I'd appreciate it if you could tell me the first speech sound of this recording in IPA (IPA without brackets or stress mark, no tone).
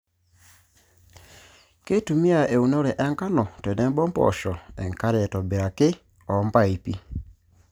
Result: k